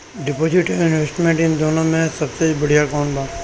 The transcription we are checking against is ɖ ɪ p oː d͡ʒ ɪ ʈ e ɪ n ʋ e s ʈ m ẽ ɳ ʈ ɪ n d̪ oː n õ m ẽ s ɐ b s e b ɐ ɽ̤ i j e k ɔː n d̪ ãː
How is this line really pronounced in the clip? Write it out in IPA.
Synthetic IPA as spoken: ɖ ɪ p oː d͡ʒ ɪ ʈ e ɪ n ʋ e s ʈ m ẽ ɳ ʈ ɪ n d̪ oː n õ m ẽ s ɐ b s e b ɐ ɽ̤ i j a k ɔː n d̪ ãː